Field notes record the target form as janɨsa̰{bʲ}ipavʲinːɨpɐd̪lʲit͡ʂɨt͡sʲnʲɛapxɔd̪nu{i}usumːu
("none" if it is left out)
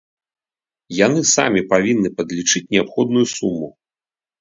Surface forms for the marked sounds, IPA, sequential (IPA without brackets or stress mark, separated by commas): mʲ, j